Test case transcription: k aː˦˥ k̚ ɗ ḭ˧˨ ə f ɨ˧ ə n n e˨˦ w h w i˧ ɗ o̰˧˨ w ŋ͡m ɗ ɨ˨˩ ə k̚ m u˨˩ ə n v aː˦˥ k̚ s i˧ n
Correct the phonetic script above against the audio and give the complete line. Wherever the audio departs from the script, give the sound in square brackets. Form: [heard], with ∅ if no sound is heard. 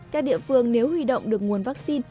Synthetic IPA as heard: k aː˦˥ k̚ ɗ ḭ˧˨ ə f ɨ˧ ə [ŋ] n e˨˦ w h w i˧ ɗ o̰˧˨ w ŋ͡m ɗ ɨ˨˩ ə k̚ [ŋ] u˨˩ ə n v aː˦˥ k̚ s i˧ n

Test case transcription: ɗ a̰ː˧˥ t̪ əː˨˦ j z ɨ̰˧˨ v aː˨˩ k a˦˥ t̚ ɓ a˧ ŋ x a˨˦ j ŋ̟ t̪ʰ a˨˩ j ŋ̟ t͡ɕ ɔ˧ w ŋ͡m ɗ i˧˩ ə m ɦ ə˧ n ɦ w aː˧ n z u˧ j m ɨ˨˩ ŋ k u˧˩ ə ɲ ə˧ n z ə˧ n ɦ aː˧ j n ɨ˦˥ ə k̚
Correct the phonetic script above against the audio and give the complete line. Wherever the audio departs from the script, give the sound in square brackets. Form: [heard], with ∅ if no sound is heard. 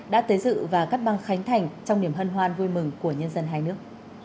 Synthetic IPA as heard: ɗ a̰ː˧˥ t̪ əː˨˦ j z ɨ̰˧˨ v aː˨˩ k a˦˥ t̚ ɓ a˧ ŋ x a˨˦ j ŋ̟ t̪ʰ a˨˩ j ŋ̟ t͡ɕ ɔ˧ w ŋ͡m ɗ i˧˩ ə m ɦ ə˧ n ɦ w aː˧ n [v] u˧ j m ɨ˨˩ ŋ k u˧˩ ə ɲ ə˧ n z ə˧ n ɦ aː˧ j n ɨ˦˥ ə k̚

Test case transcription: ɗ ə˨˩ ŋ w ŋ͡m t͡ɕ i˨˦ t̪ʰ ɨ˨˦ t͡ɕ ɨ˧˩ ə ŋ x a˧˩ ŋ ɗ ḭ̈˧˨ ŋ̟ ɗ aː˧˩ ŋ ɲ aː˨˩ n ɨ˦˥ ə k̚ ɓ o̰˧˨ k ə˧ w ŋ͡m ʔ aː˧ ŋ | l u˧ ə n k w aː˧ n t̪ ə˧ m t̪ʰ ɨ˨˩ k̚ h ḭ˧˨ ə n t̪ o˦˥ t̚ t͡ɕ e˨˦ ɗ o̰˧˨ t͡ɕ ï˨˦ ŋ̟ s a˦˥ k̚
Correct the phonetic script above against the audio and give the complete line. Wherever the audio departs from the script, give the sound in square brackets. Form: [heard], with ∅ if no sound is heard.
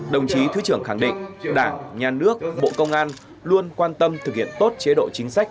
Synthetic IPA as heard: ɗ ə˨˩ [∅] w ŋ͡m t͡ɕ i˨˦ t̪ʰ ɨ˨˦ t͡ɕ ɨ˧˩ ə ŋ x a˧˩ ŋ ɗ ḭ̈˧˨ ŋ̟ ɗ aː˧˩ ŋ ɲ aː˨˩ n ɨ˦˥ ə k̚ ɓ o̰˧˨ k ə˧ w ŋ͡m ʔ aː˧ [n] | l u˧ ə n k w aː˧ n t̪ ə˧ m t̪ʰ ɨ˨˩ k̚ h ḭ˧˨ ə n t̪ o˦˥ t̚ t͡ɕ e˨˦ ɗ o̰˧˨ t͡ɕ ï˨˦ ŋ̟ s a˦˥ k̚

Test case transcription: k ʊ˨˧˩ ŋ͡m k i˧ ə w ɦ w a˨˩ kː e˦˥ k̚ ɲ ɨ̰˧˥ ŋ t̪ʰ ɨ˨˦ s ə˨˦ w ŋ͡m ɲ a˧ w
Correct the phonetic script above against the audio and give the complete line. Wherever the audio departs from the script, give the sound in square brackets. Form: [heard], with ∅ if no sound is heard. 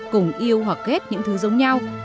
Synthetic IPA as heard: k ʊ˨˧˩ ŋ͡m [ʔ] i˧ ə w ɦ w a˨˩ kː e˦˥ [t̚] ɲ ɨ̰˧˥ ŋ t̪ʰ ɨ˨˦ [z] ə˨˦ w ŋ͡m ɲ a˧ w

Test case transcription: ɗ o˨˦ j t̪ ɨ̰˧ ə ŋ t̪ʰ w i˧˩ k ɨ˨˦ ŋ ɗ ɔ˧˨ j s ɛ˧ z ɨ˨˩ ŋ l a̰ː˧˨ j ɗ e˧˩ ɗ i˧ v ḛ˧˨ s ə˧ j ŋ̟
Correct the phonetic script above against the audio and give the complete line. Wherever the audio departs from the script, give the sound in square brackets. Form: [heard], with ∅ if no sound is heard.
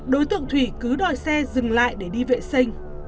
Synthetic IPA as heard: ɗ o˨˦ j t̪ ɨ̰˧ ə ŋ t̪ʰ w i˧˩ k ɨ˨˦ [∅] ɗ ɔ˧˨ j s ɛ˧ z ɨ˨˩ ŋ l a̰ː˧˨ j ɗ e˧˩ ɗ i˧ v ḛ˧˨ s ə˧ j ŋ̟

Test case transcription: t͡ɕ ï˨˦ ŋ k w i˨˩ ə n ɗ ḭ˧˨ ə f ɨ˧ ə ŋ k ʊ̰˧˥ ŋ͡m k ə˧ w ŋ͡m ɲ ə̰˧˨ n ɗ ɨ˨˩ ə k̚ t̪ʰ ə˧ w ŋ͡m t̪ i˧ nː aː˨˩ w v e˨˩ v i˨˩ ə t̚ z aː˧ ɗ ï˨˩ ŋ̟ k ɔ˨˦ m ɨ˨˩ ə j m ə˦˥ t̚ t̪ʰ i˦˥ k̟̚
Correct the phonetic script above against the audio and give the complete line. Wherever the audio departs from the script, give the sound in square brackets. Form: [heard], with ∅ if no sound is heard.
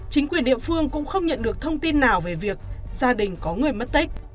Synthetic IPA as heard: t͡ɕ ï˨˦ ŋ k w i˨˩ ə n ɗ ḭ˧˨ ə f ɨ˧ ə ŋ k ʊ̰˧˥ ŋ͡m [x] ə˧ w ŋ͡m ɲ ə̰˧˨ n ɗ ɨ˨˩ ə k̚ t̪ʰ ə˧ w ŋ͡m t̪ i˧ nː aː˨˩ w v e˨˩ v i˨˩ ə [k̚] z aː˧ ɗ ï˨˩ ŋ̟ k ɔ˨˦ [ŋ] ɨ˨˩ ə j m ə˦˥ t̚ [t̪] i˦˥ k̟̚

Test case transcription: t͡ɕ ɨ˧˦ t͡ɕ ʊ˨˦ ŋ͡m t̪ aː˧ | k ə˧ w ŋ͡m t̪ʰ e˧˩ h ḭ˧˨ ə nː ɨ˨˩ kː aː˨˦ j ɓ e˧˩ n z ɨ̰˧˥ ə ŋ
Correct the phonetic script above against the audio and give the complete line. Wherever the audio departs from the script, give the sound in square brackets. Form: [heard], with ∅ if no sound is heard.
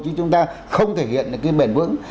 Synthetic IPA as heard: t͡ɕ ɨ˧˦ t͡ɕ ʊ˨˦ ŋ͡m t̪ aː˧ | [x] ə˧ w ŋ͡m t̪ʰ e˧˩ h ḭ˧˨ ə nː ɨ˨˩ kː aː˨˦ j ɓ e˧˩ n [v] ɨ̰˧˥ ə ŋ

